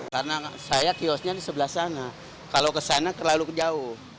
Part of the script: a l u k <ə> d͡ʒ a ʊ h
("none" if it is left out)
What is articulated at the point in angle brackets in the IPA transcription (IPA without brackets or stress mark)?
ə